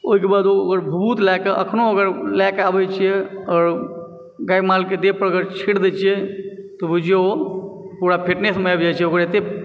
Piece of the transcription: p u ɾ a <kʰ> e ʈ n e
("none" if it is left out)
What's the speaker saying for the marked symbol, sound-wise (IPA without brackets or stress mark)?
pʰ